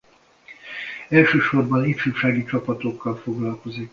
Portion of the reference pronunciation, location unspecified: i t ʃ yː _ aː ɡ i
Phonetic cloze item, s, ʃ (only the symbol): ʃ